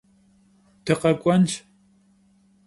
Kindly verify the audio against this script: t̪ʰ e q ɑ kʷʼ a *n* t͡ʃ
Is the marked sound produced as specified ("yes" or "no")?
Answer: yes